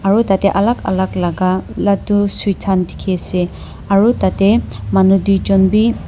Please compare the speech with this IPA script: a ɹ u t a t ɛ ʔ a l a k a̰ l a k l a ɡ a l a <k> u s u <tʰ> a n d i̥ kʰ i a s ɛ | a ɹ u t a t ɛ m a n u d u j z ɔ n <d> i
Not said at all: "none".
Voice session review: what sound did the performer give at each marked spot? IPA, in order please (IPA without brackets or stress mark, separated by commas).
t, tʰ, b